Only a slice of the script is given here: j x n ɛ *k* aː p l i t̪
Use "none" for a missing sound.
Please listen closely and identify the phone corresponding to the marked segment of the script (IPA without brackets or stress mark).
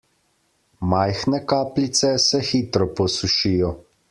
k